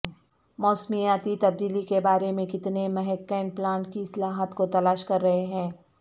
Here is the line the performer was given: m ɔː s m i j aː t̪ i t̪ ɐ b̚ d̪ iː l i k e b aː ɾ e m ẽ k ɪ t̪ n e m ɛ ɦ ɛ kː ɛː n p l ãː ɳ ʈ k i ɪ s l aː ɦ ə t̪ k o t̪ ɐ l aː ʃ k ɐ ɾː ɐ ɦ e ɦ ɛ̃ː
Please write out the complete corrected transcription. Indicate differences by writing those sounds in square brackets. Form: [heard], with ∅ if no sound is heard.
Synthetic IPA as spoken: m ɔː s m i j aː t̪ i t̪ ɐ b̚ d̪ iː l i k e b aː ɾ e m ẽ k ɪ t̪ n e m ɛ ɦ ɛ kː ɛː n p l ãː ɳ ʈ k i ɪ s l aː ɦ ə t̪ k o t̪ ɐ l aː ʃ k ɐ ɾː ɐ ɦ e ɦ ɛ̃ː

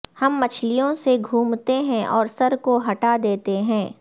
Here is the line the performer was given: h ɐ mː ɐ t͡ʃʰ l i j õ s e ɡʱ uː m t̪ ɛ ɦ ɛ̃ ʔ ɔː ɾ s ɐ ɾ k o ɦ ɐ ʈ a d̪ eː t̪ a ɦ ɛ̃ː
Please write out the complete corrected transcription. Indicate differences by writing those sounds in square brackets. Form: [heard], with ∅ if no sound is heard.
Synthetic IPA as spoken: h ɐ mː ɐ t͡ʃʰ l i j õ s e ɡʱ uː m t̪ [e] ɦ ɛ̃ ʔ ɔː ɾ s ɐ ɾ k o ɦ ɐ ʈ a d̪ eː t̪ [e] ɦ ɛ̃ː

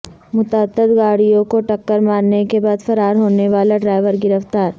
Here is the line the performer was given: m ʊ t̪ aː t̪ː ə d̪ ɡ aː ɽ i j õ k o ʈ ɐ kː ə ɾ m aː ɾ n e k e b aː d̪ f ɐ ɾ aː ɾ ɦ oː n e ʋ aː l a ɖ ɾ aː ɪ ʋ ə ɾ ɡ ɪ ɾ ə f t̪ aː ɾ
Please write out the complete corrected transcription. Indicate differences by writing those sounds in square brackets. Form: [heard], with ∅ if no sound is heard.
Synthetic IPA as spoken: m ʊ t̪ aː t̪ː ə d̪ ɡ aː ɽ i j õ k o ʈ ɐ kː ə ɾ m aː ɾ n e k e b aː d̪ f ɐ ɾ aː ɾ ɦ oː n e ʋ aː l a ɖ ɾ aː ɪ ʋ ə ɾ ɡ ɪ ɾ ə f t̪ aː ɾ

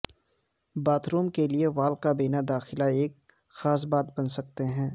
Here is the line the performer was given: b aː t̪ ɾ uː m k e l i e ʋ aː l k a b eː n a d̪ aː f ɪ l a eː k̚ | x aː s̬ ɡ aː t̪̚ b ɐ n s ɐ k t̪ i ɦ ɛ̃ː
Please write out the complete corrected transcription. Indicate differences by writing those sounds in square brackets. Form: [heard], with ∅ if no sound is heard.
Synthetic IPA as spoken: b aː t̪ ɾ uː m k e l i e ʋ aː l k a b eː n a d̪ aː [x] ɪ l a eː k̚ | x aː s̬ [b] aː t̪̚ b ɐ n s ɐ k t̪ [e] ɦ ɛ̃ː

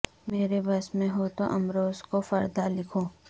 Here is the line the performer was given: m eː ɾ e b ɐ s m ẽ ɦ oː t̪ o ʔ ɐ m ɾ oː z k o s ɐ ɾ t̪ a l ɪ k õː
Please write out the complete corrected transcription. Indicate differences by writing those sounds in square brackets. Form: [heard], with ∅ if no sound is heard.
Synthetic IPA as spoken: m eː ɾ e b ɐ s m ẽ ɦ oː t̪ o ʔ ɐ m ɾ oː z k o [f] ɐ ɾ [d̪] a l ɪ [kʰ] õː

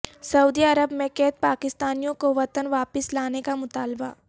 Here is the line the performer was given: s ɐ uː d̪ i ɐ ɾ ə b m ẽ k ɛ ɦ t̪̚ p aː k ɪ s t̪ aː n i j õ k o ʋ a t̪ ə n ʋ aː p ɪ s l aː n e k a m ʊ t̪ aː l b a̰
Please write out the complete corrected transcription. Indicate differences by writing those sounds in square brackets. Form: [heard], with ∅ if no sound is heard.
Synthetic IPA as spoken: s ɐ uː d̪ i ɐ ɾ ə b m ẽ k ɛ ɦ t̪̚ p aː k ɪ s t̪ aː n i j õ k o ʋ [ɐ] t̪ ə n ʋ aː p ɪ s l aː n e k a m ʊ t̪ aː l b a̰

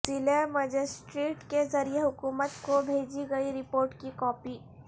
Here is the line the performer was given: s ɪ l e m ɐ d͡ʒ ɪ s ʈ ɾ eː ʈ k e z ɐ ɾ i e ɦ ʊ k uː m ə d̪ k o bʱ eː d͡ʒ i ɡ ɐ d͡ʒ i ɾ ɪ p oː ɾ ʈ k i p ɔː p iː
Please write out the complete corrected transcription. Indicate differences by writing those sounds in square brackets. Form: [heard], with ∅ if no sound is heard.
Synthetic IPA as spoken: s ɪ l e m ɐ d͡ʒ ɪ s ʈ ɾ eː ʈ k e z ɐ ɾ i e ɦ ʊ k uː m ə [t̪] k o bʱ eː d͡ʒ i ɡ ɐ [∅] i ɾ ɪ p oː ɾ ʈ k i [k] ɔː p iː

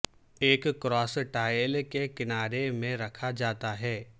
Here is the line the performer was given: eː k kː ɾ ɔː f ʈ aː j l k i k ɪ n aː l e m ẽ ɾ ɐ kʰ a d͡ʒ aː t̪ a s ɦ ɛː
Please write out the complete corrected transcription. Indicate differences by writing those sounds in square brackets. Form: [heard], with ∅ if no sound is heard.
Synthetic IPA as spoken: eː k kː ɾ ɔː [s] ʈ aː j l k [e] k ɪ n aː [ɾ] e m ẽ ɾ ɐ kʰ a d͡ʒ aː t̪ a [∅] ɦ ɛː

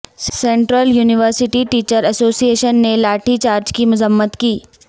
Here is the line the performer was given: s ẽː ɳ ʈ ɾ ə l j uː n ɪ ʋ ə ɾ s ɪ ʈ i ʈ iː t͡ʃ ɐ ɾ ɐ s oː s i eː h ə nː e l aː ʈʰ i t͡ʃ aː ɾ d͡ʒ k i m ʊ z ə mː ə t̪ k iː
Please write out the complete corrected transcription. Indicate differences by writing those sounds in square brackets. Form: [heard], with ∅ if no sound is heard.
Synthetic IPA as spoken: s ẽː ɳ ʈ ɾ ə l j uː n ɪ ʋ ə ɾ s ɪ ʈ i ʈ iː t͡ʃ [ə] ɾ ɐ s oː s i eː [ʃ] ə nː e l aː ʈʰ i t͡ʃ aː ɾ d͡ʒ k i m ʊ z ə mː ə t̪ k iː

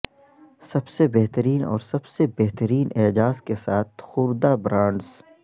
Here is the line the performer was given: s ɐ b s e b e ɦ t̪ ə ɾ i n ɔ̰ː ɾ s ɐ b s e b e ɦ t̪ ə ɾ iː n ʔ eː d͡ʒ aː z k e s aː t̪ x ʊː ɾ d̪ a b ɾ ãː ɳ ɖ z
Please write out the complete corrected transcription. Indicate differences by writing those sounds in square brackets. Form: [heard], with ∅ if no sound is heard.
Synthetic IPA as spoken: s ɐ b s e b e ɦ t̪ ə ɾ [iː] n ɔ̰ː ɾ s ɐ b s e b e ɦ t̪ ə ɾ iː n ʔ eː d͡ʒ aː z k e s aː t̪ x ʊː ɾ d̪ a b ɾ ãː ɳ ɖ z

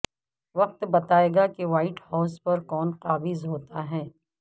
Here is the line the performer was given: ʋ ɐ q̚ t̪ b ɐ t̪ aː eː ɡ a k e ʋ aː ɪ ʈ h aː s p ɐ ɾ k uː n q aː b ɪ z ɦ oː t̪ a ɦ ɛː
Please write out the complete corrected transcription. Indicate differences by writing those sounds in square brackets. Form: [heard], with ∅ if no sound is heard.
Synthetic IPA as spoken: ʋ ɐ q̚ t̪ b ɐ t̪ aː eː ɡ a k e ʋ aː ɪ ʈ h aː s p ɐ ɾ k [ɔː] n q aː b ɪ z ɦ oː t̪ a ɦ ɛː

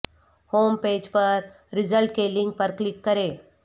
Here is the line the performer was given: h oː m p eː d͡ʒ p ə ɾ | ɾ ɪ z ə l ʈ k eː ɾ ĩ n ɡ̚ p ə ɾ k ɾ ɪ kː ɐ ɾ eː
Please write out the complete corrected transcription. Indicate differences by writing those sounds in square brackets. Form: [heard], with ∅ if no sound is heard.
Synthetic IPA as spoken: h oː m p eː d͡ʒ p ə ɾ | ɾ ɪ z ə l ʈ k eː [l] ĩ [ŋ] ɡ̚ p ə ɾ k [l] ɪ kː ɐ ɾ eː

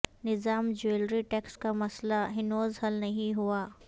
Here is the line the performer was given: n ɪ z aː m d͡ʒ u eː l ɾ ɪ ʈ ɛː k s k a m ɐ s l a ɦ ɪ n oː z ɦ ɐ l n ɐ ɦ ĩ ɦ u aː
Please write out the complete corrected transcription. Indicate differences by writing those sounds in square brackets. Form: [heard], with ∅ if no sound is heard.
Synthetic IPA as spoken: n ɪ z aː m d͡ʒ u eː l ɾ [i] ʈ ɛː k s k a m ɐ s l a ɦ ɪ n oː z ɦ ɐ l n ɐ ɦ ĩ ɦ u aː

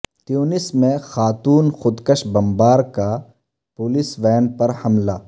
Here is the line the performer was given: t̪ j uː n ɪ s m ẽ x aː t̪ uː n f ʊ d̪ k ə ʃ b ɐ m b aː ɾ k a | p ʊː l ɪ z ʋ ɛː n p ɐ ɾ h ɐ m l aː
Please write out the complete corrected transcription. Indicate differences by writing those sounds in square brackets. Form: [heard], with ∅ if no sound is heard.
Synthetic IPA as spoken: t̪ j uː n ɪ s m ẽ x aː t̪ uː n [x] ʊ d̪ k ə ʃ b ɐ m b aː ɾ k a | p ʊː l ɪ [s] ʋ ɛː n p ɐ ɾ h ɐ m l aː

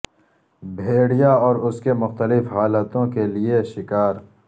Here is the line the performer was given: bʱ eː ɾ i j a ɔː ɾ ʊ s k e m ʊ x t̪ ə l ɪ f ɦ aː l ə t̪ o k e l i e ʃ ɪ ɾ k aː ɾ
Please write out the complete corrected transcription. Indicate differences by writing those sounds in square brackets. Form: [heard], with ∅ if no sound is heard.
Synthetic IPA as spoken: bʱ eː [ɽ] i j a ɔː ɾ ʊ s k e m ʊ x t̪ ə l ɪ f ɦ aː l ə t̪ [õ] k e l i e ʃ ɪ [∅] k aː ɾ

